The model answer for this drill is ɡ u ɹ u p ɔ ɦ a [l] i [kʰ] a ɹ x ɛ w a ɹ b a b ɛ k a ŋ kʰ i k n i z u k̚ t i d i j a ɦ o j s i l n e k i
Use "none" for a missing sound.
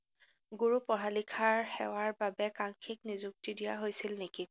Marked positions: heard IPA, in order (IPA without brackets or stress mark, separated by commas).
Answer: l, kʰ